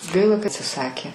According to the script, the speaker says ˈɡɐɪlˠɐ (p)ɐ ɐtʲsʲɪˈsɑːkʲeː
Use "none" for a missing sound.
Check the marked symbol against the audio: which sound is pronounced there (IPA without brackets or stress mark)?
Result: k